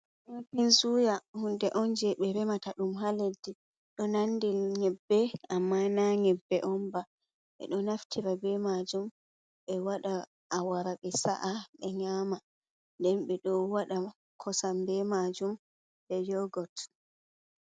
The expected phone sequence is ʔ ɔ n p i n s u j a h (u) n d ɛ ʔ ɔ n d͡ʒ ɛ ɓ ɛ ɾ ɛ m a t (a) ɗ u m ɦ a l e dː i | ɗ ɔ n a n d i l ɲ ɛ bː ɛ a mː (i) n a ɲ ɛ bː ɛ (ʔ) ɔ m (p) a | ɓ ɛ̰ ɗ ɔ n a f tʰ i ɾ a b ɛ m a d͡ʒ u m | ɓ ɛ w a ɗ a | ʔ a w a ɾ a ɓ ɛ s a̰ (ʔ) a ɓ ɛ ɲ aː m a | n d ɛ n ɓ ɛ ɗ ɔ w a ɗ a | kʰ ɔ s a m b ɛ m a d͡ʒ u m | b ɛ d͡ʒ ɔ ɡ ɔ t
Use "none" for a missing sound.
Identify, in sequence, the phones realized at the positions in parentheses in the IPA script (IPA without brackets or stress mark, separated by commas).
u, a, a, ʔ, b, ʔ